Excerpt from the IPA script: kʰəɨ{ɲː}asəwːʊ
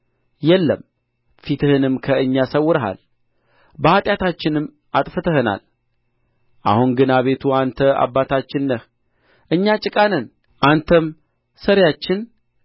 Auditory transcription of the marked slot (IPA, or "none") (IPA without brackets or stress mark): ɲː